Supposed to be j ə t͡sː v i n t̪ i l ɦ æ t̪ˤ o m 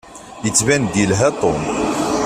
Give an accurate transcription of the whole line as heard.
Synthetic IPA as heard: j ə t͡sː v æ n d̪ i l ɦ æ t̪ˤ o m